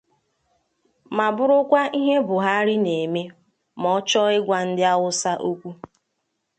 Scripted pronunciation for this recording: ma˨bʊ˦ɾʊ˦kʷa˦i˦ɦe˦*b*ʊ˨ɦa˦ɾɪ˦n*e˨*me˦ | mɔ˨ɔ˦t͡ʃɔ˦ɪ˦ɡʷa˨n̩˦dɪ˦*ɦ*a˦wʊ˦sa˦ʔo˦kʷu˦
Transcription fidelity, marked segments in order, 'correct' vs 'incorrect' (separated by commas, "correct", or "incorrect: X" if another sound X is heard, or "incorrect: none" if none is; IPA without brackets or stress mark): correct, correct, incorrect: none